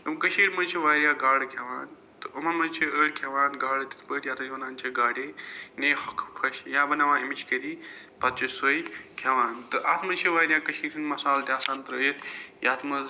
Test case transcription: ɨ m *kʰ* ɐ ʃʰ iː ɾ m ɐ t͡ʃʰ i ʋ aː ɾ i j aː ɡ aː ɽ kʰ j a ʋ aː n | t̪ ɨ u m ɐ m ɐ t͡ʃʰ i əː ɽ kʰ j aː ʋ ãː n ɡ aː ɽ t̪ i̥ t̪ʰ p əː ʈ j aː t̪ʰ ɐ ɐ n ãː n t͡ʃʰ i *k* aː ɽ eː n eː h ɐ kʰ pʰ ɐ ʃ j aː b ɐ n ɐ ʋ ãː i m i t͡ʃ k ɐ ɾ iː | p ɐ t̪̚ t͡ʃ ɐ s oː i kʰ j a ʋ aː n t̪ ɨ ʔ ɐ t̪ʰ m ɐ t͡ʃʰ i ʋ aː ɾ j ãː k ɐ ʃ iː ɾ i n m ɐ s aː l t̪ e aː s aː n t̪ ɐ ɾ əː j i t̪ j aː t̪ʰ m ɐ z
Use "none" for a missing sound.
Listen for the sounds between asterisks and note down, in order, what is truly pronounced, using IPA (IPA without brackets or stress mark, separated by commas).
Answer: k, ɡ